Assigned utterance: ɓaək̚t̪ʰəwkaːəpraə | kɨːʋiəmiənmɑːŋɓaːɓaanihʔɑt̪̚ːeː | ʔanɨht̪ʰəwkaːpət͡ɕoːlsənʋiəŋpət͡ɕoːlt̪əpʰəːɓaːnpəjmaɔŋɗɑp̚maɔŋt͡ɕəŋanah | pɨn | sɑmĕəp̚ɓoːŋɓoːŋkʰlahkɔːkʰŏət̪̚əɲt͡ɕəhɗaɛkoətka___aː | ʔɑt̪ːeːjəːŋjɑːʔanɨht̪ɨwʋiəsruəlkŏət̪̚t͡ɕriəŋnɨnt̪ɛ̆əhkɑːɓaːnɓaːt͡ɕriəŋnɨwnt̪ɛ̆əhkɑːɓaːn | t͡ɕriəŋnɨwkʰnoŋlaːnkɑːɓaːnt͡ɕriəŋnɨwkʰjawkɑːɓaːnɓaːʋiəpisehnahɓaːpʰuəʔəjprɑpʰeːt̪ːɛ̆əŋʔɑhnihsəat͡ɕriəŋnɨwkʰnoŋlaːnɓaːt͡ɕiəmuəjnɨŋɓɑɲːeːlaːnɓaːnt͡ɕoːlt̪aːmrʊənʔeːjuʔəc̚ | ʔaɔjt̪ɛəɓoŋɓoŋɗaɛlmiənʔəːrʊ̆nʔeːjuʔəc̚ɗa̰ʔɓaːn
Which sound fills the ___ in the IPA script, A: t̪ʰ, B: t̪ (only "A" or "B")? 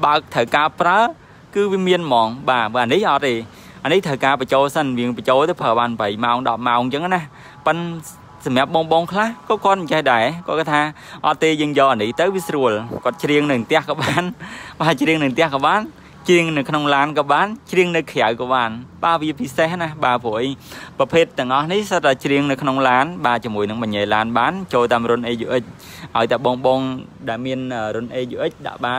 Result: A